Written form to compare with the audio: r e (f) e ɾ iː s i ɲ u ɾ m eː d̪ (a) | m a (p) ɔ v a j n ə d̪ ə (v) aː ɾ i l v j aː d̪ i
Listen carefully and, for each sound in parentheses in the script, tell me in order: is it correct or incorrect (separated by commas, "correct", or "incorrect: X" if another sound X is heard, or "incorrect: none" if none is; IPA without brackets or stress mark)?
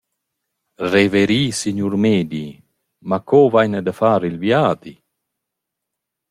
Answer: incorrect: v, incorrect: i, incorrect: k, incorrect: f